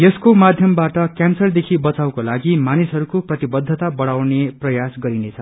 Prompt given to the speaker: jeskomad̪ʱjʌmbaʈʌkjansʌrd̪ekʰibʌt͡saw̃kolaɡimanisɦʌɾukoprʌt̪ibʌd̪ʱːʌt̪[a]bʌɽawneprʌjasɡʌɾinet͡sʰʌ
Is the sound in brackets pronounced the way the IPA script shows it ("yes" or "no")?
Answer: yes